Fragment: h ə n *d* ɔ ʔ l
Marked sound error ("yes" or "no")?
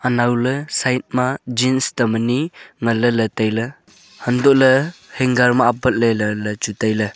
no